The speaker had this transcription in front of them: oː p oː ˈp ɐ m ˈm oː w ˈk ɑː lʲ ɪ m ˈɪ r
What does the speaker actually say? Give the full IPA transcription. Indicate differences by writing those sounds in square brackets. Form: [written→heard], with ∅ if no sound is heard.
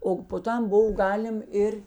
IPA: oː p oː [ˈp→ˈt] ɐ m [ˈm→ˈb] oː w [ˈk→ˈɡ] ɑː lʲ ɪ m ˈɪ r